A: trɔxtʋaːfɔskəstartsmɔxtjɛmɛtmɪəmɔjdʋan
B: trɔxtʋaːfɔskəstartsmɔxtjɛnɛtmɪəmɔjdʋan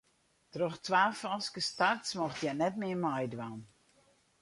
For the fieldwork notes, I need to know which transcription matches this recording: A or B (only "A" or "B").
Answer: B